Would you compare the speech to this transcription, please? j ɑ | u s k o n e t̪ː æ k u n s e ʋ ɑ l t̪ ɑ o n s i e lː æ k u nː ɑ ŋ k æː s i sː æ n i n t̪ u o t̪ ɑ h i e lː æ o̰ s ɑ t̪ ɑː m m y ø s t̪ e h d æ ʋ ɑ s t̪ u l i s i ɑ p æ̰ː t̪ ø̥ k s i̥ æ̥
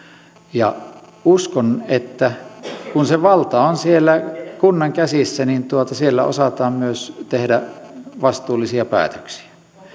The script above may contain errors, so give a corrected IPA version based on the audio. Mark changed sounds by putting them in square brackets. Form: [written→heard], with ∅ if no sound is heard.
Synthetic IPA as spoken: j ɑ | u s k o n e t̪ː æ k u n s e ʋ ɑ l t̪ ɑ o n s i e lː æ k u nː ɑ ŋ k [æː→æ] s i sː æ n i n t̪ u o t̪ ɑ [h→s] i e lː æ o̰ s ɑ t̪ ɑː m m y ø s t̪ e h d æ ʋ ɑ s t̪ [u→uː] l i s i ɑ p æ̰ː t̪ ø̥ k s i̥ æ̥